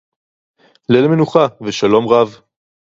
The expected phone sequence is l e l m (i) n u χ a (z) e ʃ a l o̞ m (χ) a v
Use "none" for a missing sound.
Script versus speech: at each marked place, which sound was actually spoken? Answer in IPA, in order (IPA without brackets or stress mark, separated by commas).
e, v, ʁ